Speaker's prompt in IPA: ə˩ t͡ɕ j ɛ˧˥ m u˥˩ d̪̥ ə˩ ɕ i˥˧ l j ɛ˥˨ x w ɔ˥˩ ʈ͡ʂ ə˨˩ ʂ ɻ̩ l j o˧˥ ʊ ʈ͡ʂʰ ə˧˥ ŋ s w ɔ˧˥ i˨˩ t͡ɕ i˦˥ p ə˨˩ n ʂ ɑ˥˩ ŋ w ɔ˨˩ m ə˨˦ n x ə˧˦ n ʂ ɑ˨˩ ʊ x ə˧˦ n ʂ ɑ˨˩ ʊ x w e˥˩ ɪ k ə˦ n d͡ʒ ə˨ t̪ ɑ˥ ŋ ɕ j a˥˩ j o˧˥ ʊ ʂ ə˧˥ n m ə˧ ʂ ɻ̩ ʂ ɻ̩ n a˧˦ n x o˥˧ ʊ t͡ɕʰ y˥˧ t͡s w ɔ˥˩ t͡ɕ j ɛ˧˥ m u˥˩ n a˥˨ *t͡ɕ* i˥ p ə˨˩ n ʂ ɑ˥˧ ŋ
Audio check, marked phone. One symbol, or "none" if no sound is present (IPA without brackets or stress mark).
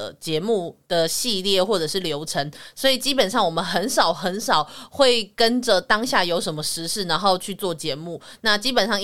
t͡ɕ